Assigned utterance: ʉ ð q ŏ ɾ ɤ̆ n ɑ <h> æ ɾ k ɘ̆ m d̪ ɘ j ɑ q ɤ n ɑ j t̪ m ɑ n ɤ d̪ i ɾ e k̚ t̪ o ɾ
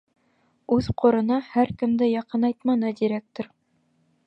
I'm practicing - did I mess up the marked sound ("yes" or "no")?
no